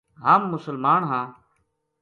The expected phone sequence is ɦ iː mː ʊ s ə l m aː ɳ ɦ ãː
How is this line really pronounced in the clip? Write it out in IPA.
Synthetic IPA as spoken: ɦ aː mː ʊ s ə l m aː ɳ ɦ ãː